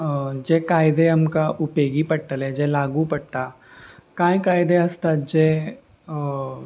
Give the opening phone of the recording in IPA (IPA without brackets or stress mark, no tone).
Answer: d͡ʒ